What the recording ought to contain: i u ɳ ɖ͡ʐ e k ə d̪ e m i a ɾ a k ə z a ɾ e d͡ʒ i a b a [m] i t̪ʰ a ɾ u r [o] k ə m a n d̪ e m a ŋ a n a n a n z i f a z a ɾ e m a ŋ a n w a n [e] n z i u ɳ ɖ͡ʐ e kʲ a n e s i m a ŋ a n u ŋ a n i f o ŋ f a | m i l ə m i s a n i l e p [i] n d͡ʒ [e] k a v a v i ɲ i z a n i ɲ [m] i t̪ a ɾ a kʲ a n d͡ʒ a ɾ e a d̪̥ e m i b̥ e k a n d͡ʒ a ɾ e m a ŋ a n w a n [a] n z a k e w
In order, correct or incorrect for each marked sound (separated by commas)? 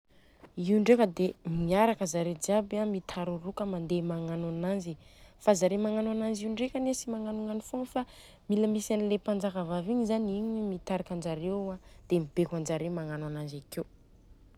correct, incorrect, incorrect, incorrect, incorrect, correct, correct